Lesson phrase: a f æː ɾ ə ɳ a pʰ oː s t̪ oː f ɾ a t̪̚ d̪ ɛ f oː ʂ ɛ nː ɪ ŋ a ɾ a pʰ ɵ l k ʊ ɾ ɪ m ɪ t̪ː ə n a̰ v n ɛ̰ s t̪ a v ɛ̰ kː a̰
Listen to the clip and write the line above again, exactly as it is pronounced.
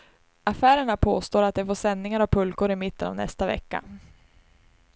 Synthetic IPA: a f æː ɾ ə ɳ a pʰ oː s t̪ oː ɾ a t̪̚ d̪ ɛ f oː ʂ ɛ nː ɪ ŋ a ɾ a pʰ ɵ l k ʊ ɾ ɪ m ɪ t̪ː ə n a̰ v n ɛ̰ s t̪ a v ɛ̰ kː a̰

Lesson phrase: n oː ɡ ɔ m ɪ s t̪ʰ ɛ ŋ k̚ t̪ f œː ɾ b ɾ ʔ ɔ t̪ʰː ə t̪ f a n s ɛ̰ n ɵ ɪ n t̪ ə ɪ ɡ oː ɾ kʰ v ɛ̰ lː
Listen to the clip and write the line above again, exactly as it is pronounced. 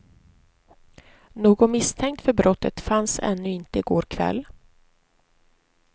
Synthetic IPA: n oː ɡ ɔ m ɪ s t̪ʰ ɛ ŋ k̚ t̪ f œ ɾ b ɾ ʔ ɔ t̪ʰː ə t̪ f a n s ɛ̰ nː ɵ ɪ n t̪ ə ɪ ɡ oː ɾ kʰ v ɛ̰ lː

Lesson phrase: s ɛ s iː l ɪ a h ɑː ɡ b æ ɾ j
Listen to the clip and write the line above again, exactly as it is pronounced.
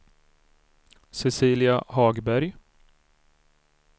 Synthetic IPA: s ɛ s iː l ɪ a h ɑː ɡ b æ ɾ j

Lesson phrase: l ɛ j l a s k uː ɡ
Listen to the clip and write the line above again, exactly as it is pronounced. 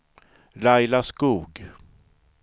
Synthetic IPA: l a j l a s k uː ɡ

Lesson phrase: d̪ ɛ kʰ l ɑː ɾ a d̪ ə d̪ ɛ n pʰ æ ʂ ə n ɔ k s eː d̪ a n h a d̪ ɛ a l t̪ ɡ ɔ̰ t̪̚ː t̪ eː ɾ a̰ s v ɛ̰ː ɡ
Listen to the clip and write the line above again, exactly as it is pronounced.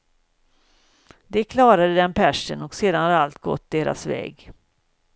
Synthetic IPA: d̪ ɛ kʰ l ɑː ɾ a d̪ ə d̪ ɛ n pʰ æ ʂ ə n ɔ k s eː d̪ a n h a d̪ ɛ a l t̪ ɡ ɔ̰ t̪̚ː d̪ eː ɾ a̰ s v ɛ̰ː ɡ

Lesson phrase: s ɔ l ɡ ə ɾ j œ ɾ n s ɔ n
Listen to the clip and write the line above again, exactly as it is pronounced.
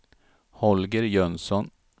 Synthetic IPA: h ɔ l ɡ ə ɾ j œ n s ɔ n

